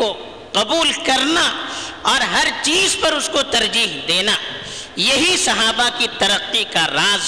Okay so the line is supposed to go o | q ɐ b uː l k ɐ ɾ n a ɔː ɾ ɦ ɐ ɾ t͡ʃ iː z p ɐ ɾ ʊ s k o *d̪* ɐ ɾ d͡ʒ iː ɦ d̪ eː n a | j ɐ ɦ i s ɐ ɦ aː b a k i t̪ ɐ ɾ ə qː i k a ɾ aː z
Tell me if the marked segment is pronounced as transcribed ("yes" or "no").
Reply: no